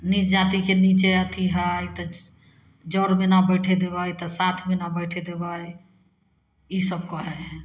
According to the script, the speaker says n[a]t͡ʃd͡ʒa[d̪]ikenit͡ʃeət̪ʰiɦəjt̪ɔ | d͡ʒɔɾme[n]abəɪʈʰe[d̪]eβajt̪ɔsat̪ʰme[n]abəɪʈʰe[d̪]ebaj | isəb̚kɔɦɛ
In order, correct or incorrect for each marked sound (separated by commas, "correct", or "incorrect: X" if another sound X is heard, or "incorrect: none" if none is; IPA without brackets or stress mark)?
incorrect: i, incorrect: t̪, correct, correct, correct, correct